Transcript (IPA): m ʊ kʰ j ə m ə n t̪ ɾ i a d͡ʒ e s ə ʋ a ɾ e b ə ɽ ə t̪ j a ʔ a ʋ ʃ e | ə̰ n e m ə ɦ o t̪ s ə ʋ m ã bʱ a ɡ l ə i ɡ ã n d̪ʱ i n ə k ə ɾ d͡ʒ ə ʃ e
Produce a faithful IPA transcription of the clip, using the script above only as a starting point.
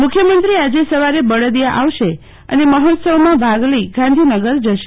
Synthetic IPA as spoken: m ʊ kʰ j ə m ə n t̪ ɾ i a d͡ʒ e s ə ʋ a ɾ e b ə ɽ ə d̪ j a ʔ a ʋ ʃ e | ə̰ n e m ə ɦ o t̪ s ə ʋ m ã bʱ a ɡ l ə i ɡ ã n d̪ʱ i n ə ɡ ə ɾ d͡ʒ ə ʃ e

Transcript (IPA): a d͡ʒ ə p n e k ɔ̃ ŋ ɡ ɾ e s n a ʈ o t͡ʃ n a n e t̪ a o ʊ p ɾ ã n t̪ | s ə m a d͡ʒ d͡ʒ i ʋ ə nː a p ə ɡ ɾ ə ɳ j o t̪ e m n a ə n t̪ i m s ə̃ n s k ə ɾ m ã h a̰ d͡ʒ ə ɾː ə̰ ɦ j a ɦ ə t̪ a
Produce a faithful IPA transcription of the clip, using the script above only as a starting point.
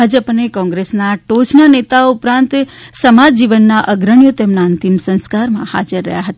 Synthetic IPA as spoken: a d͡ʒ ə p n e k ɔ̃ ŋ ɡ ɾ e s n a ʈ o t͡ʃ n a n e t̪ a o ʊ p ɾ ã n t̪ | s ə m a d͡ʒ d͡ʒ i ʋ ə nː a ʔ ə ɡ ɾ ə ɳ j o t̪ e m n a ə n t̪ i m s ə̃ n s k a ɾ m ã h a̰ d͡ʒ ə ɾː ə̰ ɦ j a ɦ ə t̪ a

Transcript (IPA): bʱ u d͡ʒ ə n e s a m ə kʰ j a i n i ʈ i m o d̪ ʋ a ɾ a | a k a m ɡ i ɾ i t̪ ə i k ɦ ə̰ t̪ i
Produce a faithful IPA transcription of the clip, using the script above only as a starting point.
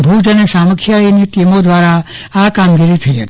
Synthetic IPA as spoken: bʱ u d͡ʒ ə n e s a m ə kʰ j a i n i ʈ i m o d̪ ʋ a ɾ a | a k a m ɡ i ɾ i t̪ʰ ə i ɦ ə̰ t̪ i

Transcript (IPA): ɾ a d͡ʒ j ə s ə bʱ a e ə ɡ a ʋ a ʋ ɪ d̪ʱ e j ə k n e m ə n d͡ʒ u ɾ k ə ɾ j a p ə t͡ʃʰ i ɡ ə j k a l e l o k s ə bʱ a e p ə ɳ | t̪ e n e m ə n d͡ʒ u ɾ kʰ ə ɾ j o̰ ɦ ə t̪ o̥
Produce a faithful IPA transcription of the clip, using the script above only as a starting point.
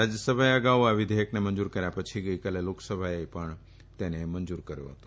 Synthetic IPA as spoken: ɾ a d͡ʒ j ə s ə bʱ a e ə ɡ a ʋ a ʋ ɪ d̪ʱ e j ə k n e m ə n d͡ʒ u ɾ k ə ɾ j a p ə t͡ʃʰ i ɡ ə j k a l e l o k s ə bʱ a e p ə ɳ | t̪ e n e m ə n d͡ʒ u ɾ k ə ɾ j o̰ ɦ ə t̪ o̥

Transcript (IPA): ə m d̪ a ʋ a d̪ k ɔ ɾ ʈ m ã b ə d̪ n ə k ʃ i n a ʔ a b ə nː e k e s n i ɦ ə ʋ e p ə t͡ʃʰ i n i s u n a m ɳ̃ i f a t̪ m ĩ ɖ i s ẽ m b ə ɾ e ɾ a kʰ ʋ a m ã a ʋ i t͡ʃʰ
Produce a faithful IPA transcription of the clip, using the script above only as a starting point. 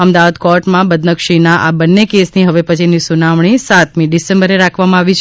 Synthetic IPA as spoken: ə m d̪ a ʋ a d̪ k ɔ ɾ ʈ m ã b ə d̪ n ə k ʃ i n a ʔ a b ə nː e k e s n i ɦ ə ʋ e p ə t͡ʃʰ i n i s u n a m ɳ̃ i s a t̪ m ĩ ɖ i s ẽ m b ə ɾ e ɾ a kʰ ʋ a m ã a ʋ i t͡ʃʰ

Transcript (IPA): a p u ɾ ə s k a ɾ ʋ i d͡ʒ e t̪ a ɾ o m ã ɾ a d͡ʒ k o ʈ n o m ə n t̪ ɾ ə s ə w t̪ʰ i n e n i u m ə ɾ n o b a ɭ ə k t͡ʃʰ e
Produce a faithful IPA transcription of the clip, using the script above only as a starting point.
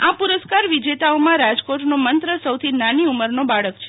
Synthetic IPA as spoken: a p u ɾ ə s k a ɾ ʋ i d͡ʒ e t̪ a o m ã ɾ a d͡ʒ k o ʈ n o m ə n t̪ ɾ ə s ə w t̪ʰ i n a n i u m ə ɾ n o b a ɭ ə k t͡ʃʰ e

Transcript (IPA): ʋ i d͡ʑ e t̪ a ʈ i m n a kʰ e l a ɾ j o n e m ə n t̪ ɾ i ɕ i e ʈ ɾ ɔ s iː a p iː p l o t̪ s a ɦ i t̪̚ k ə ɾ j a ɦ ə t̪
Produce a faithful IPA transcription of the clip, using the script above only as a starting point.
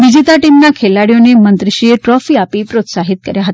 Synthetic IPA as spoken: ʋ i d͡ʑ i t̪ a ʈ i m n a kʰ e l a ɽ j o n e m ə n t̪ ɾ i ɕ i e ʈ ɾ ɔ f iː a p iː p ɾ o t̪ s a ɦ i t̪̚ k ə ɾ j a ɦ ə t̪

